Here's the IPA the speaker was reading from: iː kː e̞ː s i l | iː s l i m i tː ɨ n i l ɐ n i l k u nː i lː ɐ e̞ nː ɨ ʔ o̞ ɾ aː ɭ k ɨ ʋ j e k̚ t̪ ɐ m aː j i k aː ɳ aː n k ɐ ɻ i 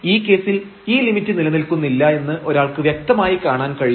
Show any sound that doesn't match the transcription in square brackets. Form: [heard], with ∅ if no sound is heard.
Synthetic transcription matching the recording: iː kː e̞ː s i l | iː [∅] l i m i tː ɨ n i l ɐ n i l k u nː i lː ɐ e̞ nː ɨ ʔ o̞ ɾ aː ɭ k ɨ ʋ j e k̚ t̪ ɐ m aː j i k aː ɳ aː n k ɐ ɻ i